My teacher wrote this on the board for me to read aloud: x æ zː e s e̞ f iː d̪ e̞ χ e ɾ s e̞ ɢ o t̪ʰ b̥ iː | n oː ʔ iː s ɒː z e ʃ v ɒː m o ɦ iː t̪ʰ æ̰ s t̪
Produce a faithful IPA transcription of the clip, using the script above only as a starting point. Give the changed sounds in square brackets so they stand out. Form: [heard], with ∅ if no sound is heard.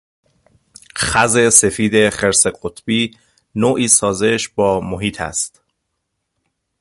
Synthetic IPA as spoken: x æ [z] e s e̞ f iː d̪ e̞ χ e ɾ s e̞ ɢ o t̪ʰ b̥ iː | n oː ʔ iː s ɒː z e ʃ [b] ɒː m o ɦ iː t̪ʰ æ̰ s t̪